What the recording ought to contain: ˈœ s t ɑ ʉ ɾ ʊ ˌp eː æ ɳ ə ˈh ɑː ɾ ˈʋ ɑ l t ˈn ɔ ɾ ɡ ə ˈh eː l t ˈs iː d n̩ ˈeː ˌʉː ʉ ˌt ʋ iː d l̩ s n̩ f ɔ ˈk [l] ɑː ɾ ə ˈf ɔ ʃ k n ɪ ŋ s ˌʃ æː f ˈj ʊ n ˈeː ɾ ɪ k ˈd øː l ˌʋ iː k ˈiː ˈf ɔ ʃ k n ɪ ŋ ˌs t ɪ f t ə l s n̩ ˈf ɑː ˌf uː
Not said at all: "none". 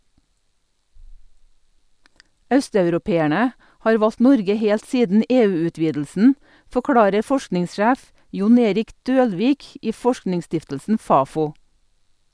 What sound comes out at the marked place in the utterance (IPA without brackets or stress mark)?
ɽ